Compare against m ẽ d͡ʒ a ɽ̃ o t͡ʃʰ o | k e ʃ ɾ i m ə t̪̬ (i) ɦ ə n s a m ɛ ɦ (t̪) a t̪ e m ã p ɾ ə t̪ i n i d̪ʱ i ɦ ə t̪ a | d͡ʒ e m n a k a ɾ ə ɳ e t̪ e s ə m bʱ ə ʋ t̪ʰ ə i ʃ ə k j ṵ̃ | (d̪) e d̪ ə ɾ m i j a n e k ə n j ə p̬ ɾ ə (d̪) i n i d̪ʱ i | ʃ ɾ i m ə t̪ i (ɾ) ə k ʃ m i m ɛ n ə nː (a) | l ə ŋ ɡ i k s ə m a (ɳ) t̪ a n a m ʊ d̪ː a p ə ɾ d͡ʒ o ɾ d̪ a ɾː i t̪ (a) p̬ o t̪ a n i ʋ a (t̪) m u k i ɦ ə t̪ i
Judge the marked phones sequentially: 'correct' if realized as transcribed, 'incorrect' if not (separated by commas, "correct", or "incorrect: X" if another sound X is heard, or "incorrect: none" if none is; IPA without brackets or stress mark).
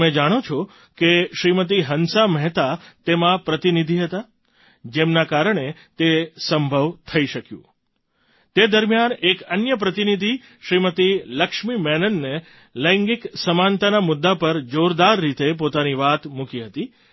correct, correct, incorrect: t̪, incorrect: t̪, incorrect: l, incorrect: e, incorrect: n, incorrect: e, correct